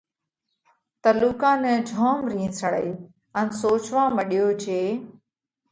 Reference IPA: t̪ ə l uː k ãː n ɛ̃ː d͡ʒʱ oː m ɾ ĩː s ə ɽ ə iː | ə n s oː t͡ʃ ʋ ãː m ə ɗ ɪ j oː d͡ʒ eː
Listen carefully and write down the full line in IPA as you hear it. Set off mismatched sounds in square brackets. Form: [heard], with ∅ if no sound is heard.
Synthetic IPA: t̪ ə l uː k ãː n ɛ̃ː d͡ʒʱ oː m ɾ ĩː s ə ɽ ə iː | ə n s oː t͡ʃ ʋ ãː m ə ɗ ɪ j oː d͡ʒ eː